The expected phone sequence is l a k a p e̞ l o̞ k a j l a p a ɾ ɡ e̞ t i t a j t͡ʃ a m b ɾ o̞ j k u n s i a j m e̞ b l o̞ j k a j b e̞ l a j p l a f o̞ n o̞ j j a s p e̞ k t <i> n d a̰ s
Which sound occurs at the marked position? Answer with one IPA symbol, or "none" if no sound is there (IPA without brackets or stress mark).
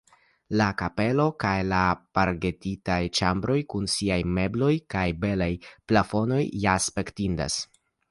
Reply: i